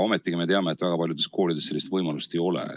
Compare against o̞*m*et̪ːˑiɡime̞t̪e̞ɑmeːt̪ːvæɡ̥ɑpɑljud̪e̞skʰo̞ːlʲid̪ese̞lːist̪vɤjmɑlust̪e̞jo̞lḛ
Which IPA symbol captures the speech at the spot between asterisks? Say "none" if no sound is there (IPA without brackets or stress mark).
m